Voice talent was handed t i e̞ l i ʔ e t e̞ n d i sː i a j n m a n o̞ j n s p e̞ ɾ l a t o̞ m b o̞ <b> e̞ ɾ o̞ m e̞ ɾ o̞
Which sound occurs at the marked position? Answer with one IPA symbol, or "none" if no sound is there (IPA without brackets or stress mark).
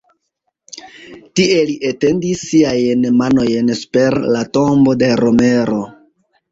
d